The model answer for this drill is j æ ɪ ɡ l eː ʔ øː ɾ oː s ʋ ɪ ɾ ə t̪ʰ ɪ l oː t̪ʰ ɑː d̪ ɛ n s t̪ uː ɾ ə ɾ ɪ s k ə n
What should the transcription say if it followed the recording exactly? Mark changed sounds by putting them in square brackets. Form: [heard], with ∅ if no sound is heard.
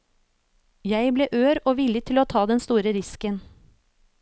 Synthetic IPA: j æ ɪ [b] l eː ʔ øː ɾ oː [∅] ʋ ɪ [l] ə t̪ʰ ɪ l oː t̪ʰ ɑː d̪ ɛ n s t̪ uː ɾ ə ɾ ɪ s k ə n